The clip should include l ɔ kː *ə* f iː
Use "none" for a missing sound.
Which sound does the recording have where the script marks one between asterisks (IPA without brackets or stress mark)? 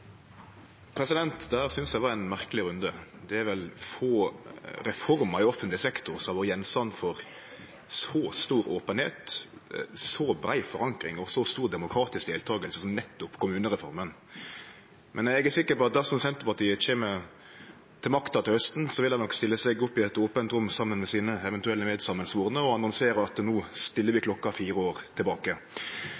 ɑ